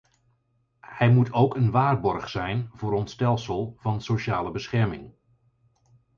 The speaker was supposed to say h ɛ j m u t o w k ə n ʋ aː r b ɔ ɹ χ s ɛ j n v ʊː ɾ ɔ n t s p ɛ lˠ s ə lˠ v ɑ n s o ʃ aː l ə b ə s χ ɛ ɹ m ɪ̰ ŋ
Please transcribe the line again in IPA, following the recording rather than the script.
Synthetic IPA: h ɛ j m u t o w k ə n ʋ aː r b ɔ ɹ χ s ɛ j n v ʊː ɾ ɔ n t s t ɛ lˠ s ə lˠ v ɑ n s o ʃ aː l ə b ə s χ ɛ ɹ m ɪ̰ ŋ